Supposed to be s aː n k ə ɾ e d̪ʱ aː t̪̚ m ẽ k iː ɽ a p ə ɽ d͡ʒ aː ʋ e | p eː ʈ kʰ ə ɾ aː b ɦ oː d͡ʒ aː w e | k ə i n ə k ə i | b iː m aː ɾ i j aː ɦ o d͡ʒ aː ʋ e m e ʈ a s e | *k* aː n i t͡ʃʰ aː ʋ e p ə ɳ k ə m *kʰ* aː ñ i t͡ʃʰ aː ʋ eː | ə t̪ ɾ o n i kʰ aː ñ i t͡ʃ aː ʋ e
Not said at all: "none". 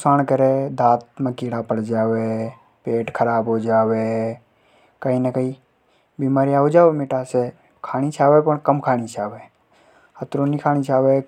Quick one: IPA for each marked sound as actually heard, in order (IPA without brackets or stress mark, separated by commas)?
kʰ, kʰ